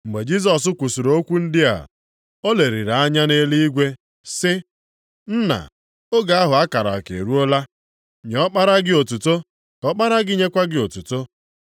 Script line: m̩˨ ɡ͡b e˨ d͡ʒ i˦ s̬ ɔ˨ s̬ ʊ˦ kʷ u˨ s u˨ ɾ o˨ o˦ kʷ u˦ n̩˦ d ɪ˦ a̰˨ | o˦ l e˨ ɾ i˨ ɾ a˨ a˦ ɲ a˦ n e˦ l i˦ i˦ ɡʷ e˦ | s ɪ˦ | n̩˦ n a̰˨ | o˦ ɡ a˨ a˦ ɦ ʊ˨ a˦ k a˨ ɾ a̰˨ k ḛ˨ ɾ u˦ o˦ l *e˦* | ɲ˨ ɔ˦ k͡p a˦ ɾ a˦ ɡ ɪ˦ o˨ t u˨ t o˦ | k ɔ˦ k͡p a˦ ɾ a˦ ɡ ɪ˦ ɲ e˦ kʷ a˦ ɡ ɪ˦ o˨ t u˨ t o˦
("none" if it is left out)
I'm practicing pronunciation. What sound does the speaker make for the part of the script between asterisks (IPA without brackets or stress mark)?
a˦